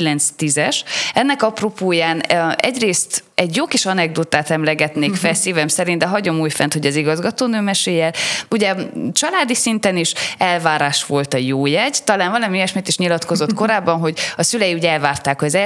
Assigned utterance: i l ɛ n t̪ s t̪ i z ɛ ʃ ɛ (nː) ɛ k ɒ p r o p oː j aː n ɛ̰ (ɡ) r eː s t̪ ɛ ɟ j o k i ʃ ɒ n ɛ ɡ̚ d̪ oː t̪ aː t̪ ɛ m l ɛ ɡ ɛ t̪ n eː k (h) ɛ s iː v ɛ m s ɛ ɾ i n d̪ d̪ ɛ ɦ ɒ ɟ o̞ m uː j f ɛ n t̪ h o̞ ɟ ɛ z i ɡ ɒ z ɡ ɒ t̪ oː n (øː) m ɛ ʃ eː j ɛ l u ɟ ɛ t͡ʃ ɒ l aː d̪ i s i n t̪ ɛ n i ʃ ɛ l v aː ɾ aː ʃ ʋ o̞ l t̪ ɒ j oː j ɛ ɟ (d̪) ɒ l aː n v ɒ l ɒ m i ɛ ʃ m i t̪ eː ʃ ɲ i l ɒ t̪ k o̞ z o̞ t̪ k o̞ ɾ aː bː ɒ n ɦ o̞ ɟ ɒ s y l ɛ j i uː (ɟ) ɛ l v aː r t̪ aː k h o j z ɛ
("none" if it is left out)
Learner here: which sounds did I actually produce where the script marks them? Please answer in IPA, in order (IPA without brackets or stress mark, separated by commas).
nː, ɟ, f, øː, t̪, ɟ